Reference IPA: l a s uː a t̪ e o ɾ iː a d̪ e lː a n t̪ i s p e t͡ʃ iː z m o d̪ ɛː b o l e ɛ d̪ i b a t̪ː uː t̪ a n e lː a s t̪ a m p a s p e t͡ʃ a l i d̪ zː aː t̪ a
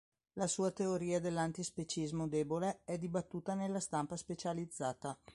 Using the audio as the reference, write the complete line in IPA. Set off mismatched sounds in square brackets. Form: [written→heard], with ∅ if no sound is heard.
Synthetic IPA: l a s uː a t̪ e o ɾ iː a d̪ e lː a n t̪ i s p e t͡ʃ [iː→i] z m o d̪ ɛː b o l e ɛ d̪ i b a t̪ː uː t̪ a n e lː a s t̪ a m p a s p e t͡ʃ a l i d̪ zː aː t̪ a